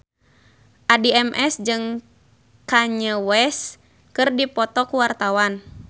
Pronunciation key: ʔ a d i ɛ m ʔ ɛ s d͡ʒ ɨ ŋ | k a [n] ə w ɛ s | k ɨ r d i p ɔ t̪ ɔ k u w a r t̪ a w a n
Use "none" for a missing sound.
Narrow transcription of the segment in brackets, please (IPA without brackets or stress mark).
ɲ